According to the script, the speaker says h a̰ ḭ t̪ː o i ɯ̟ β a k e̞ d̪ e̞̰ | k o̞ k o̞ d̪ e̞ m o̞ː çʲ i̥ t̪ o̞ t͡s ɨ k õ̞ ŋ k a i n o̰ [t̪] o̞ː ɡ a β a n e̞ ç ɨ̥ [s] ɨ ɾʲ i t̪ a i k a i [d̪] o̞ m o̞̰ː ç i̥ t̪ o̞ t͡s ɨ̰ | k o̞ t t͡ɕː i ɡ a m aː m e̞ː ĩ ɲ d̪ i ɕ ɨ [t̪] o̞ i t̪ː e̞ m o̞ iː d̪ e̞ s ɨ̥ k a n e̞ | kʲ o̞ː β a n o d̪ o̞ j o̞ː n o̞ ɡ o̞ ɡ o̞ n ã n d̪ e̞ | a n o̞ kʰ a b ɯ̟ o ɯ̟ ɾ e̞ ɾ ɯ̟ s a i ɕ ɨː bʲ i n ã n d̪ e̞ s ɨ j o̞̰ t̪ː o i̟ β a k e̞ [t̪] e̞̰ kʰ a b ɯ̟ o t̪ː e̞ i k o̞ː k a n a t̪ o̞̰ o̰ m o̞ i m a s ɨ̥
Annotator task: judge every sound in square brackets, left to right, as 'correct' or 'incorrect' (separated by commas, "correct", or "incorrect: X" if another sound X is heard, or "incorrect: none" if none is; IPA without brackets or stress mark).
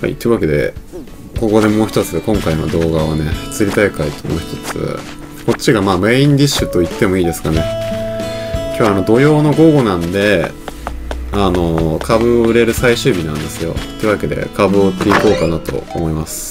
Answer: incorrect: d̪, incorrect: t͡s, incorrect: t̪, correct, incorrect: d̪